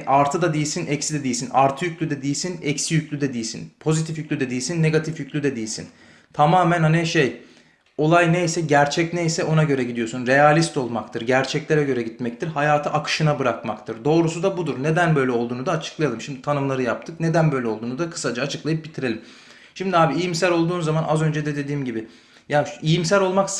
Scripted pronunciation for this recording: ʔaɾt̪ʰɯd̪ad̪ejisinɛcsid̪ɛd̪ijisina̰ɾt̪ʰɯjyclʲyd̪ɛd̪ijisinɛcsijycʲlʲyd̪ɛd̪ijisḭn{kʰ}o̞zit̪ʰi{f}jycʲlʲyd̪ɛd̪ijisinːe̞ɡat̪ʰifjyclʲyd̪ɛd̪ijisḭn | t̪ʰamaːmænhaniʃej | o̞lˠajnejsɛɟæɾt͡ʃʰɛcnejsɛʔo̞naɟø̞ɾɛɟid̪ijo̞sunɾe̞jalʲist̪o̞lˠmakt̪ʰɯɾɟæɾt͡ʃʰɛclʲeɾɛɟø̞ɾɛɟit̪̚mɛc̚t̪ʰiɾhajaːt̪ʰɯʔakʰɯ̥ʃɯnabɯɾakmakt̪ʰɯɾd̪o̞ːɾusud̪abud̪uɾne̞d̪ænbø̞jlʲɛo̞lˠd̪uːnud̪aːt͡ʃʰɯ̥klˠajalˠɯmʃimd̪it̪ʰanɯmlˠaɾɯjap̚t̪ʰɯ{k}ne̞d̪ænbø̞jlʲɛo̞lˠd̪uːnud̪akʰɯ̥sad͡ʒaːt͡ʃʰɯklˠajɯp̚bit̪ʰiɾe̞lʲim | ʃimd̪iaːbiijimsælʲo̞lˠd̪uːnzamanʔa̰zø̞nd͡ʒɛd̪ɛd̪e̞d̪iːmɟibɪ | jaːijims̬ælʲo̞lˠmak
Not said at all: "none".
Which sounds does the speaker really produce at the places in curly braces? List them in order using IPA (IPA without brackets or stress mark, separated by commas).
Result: pʰ, f, k